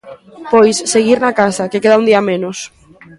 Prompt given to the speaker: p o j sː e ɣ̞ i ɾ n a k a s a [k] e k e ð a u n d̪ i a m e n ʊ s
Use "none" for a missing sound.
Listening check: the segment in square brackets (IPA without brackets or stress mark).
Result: k